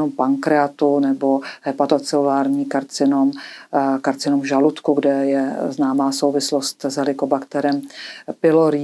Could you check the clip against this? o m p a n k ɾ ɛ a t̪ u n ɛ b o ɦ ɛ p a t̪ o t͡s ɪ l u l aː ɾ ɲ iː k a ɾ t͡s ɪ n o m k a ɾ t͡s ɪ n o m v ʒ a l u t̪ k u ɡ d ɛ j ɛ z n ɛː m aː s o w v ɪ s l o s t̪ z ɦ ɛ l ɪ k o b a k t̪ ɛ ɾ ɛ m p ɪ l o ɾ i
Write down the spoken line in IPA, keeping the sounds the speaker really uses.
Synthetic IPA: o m p a ŋ k ɾ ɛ a t̪ u n ɛ b o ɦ ɛ p a t̪ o t͡s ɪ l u l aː ɾ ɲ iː k a ɾ t͡s ɪ n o m k a ɾ t͡s ɪ n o m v ʒ a l u t̪ k u ɡ d ɛ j ɛ z n aː m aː s o w v ɪ s l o s t̪ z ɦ ɛ l ɪ k o b a k t̪ ɛ ɾ ɛ m p ɪ l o ɾ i